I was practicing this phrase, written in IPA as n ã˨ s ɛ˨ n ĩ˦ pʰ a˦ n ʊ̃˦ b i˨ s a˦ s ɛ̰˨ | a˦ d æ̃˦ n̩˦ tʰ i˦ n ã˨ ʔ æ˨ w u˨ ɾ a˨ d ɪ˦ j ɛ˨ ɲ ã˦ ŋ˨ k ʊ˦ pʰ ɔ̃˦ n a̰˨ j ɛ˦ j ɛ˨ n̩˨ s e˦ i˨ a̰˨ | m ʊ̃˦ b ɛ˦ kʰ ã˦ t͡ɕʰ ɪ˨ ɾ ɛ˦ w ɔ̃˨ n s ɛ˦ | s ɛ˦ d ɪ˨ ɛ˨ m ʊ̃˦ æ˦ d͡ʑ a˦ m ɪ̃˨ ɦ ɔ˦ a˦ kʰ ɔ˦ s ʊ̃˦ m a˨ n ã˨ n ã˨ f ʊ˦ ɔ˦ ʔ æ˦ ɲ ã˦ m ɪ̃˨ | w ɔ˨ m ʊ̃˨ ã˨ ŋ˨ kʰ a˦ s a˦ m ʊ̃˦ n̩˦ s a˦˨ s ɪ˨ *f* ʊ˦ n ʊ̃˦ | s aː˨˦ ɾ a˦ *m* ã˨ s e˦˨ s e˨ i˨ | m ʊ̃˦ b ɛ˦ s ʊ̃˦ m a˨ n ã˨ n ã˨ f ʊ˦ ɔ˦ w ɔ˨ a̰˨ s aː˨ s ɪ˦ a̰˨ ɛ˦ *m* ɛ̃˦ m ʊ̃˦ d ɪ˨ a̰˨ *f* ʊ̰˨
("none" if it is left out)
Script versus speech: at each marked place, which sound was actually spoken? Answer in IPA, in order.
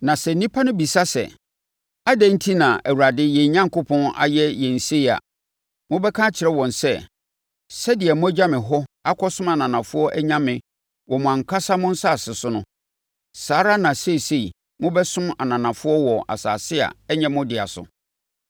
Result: s, n, ɲ, s

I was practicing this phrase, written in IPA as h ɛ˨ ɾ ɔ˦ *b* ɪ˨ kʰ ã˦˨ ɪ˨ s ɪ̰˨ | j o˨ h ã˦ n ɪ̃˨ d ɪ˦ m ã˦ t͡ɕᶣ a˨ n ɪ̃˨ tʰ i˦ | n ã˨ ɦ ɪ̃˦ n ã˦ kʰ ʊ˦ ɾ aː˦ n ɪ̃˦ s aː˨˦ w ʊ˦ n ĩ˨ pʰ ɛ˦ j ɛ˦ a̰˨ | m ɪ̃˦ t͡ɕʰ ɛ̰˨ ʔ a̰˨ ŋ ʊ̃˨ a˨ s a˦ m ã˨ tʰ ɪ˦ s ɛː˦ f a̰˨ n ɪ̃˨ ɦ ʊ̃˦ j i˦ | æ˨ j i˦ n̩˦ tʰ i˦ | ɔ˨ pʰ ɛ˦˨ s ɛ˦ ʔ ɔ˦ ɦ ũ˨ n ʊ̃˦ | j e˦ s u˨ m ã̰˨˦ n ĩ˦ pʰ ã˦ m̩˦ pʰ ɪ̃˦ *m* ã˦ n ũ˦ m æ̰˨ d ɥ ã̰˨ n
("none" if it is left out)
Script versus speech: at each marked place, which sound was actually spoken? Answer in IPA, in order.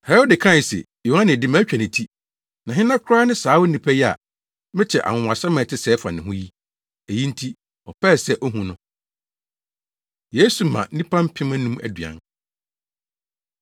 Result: d, m

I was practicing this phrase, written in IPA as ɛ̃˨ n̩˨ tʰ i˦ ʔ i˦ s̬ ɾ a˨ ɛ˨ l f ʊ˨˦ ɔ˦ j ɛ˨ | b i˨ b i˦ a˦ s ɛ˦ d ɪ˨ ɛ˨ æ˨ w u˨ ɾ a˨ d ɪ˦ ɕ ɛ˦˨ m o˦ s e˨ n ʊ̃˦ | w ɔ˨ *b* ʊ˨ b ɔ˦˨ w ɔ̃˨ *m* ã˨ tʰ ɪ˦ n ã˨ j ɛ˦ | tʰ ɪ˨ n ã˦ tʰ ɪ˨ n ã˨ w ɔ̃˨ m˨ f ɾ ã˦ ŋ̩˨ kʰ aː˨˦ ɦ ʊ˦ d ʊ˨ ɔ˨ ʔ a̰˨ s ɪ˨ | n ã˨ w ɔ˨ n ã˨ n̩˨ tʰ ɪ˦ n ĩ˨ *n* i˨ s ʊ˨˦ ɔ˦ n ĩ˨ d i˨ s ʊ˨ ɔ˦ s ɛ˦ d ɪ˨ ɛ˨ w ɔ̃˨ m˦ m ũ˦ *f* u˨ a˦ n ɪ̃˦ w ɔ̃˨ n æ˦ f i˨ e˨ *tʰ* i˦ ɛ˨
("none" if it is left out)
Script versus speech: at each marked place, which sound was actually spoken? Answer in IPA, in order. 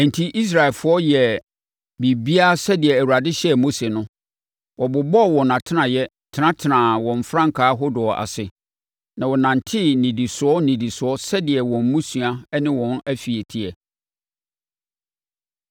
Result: b, n, d, s, tʰ

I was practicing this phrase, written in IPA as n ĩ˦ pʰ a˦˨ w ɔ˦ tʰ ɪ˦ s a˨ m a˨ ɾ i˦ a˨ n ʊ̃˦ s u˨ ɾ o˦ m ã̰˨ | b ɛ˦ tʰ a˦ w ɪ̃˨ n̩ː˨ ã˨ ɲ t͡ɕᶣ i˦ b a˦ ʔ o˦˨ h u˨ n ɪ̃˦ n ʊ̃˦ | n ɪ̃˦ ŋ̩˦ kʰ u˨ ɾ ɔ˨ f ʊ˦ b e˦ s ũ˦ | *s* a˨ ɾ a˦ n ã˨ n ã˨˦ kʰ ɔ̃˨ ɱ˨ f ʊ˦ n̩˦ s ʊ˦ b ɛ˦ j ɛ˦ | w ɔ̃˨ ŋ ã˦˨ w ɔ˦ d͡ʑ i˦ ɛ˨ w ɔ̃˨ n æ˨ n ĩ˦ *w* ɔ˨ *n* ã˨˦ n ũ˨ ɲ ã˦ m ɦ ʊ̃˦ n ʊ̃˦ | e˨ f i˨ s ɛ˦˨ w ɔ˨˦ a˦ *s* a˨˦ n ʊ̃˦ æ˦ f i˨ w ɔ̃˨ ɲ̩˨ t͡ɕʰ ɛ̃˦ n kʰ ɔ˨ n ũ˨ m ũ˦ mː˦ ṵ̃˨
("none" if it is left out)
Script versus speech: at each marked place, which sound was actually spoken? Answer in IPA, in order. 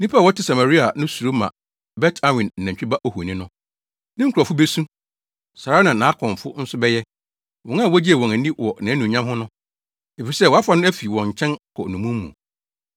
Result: s, w, n, f

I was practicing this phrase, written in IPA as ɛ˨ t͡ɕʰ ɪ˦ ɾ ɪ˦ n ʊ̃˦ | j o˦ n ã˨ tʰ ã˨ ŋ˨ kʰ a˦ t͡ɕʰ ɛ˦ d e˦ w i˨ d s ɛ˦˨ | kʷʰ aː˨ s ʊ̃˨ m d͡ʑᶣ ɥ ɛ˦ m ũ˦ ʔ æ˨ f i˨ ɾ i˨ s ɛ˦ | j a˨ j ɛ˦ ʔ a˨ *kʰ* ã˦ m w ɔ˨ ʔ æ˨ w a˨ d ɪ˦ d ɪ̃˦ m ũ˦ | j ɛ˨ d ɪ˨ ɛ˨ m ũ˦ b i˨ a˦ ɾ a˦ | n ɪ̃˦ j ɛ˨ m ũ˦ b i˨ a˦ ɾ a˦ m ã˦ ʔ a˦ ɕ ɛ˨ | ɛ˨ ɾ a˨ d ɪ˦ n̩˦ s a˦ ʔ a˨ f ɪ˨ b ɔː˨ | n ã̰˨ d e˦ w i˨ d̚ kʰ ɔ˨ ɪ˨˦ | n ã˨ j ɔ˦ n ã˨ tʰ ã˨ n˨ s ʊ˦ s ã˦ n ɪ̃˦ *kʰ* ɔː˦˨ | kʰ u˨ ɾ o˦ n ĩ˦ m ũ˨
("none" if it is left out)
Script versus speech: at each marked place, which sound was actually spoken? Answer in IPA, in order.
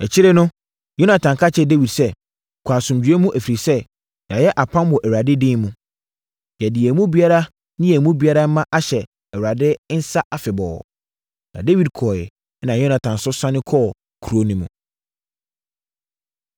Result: pʰ, kʰ

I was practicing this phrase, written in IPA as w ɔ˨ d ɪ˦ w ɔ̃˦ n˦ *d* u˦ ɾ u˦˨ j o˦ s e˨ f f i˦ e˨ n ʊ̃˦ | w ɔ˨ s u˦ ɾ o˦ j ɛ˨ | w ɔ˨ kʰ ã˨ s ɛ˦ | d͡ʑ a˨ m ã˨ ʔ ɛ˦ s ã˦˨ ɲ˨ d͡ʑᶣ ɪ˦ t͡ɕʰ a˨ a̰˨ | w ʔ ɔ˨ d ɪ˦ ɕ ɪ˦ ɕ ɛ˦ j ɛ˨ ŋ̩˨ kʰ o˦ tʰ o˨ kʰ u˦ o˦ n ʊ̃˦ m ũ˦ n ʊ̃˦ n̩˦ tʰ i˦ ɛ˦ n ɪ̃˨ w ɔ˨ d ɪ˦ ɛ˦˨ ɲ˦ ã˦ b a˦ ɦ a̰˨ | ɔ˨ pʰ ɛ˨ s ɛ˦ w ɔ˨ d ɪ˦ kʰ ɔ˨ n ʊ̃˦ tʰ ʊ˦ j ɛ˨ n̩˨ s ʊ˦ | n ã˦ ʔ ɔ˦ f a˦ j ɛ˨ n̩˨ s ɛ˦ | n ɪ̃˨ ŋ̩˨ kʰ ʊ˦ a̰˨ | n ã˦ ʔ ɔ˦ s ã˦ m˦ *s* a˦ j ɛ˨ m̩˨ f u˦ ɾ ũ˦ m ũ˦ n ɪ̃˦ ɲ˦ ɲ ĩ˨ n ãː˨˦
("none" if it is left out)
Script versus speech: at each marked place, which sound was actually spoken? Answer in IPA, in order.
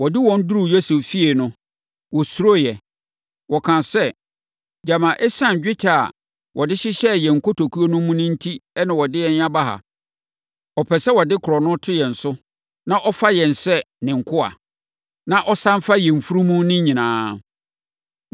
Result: d, f

